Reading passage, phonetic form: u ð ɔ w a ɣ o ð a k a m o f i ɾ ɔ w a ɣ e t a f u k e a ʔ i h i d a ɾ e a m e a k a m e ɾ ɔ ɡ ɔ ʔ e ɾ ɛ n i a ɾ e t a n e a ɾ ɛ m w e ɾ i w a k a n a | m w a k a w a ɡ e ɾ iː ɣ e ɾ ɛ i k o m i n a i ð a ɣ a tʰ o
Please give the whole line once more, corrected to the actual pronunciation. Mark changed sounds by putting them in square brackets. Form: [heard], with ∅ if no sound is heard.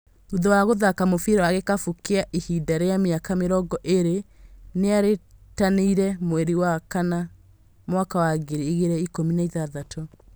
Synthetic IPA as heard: u ð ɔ w a ɣ o ð a k a m o f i ɾ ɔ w a ɣ e [k] a f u k e a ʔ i h i d a ɾ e a m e a k a m e ɾ ɔ ɡ ɔ ʔ e ɾ [e] n [e] a ɾ e t a n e [i] ɾ ɛ m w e ɾ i w a k a n a | m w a k a w a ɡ e ɾ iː ɣ e ɾ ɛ i k o m i n a i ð a [ð] a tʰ o